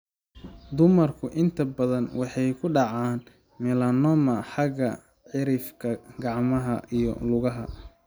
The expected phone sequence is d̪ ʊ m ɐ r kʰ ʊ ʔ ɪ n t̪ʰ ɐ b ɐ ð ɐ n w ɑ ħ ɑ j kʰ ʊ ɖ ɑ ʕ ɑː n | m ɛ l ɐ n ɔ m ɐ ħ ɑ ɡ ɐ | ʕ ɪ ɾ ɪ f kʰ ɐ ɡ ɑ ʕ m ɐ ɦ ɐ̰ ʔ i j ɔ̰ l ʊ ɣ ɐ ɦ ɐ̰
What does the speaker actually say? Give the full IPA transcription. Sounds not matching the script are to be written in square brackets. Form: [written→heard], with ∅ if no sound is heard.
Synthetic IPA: d̪ ʊ m ɐ r kʰ ʊ ʔ ɪ n t̪ʰ ɐ b ɐ ð ɐ n w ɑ ħ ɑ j kʰ ʊ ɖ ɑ ʕ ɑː n | m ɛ l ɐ n ɔ m ɐ ħ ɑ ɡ ɐ | ʕ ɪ ɾ ɪ f kʰ ɐ ɡ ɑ ʕ m ɐ ɦ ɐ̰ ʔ i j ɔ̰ l ʊ ɣ ɐ ɦ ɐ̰